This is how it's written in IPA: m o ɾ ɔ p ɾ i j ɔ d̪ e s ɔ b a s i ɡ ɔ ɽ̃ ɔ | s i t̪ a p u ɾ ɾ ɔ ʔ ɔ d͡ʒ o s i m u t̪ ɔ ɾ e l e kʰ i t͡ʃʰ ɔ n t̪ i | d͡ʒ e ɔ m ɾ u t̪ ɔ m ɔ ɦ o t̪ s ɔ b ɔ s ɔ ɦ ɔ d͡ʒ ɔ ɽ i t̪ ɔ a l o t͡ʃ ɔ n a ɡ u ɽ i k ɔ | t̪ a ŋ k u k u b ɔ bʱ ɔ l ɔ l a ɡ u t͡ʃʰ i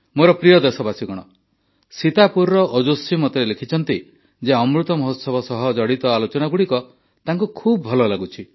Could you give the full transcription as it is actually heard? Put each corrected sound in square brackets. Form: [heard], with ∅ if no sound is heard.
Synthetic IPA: m o ɾ ɔ p ɾ i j ɔ d̪ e s ɔ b a s i ɡ ɔ ɽ̃ ɔ | s i t̪ a p u ɾ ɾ ɔ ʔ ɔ d͡ʒ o s i m [ɔ] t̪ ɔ ɾ e l e kʰ i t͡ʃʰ ɔ n t̪ i | d͡ʒ e ɔ m ɾ u t̪ ɔ m ɔ ɦ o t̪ s ɔ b ɔ s ɔ ɦ ɔ d͡ʒ ɔ ɽ i t̪ ɔ a l o t͡ʃ ɔ n a ɡ u ɽ i k ɔ | t̪ a ŋ k u [kʰ] u b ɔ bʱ ɔ l ɔ l a ɡ u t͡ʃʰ i